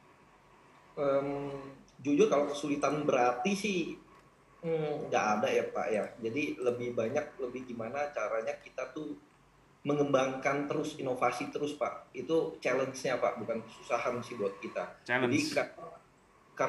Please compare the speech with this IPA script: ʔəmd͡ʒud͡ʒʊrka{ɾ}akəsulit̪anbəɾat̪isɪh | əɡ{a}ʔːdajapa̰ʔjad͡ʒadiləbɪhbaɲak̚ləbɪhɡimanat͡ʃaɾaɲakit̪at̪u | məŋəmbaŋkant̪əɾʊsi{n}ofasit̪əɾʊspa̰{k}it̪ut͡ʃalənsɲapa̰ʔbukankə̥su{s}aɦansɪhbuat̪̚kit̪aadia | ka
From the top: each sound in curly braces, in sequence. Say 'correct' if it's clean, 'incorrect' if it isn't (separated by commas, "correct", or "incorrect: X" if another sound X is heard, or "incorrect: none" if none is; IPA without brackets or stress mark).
incorrect: l, correct, correct, incorrect: ʔ, correct